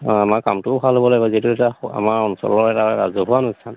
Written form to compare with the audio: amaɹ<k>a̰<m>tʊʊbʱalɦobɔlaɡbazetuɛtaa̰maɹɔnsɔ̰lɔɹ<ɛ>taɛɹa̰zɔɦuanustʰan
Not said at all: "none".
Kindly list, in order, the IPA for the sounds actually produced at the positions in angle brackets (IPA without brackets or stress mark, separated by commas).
k, m, ɛ